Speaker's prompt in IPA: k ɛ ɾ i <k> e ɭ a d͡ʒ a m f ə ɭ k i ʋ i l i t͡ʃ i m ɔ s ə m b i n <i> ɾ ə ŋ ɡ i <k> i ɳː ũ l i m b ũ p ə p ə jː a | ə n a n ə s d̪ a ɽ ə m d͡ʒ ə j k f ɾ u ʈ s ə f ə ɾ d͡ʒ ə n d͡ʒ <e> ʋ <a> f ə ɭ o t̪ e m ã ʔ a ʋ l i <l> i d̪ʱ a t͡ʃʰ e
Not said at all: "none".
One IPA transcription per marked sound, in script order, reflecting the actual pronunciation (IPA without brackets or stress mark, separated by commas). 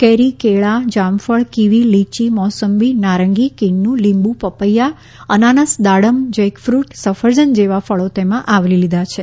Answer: k, a, k, e, a, l